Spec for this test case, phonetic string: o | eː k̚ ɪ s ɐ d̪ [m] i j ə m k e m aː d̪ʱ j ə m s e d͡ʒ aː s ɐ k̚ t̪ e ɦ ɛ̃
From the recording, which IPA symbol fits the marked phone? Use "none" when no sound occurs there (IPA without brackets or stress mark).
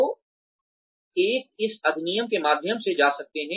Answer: n